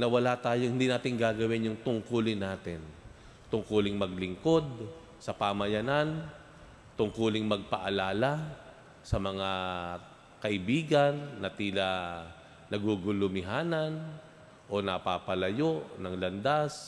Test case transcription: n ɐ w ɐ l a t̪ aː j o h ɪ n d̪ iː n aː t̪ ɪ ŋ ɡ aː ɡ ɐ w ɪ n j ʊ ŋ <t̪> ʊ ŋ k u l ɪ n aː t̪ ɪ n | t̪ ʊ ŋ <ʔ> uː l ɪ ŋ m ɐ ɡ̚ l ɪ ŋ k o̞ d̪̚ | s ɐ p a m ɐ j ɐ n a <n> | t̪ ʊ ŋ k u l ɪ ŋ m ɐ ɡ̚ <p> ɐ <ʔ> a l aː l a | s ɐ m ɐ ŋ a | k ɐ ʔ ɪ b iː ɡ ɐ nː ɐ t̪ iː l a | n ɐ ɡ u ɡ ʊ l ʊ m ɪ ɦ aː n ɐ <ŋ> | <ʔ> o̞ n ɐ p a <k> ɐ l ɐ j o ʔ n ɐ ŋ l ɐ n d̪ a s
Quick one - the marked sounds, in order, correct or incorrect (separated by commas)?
correct, incorrect, correct, correct, correct, incorrect, correct, incorrect